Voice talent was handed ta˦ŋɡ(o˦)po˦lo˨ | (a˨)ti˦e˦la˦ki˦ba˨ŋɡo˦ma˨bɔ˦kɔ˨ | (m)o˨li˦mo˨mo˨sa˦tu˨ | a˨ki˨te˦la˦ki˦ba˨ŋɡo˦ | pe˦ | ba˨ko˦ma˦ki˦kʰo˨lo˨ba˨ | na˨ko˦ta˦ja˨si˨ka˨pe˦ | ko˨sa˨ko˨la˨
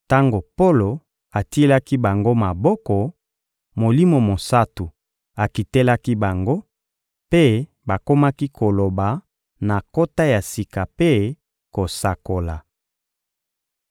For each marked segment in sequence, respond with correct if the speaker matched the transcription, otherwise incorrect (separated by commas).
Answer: incorrect, correct, correct